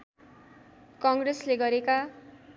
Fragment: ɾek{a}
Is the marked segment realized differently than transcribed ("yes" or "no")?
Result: no